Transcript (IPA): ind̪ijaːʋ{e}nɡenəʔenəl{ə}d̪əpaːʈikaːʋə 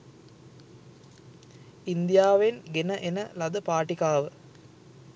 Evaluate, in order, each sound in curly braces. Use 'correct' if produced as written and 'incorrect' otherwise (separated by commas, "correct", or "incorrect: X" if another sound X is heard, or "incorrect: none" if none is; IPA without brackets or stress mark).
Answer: correct, incorrect: ɐ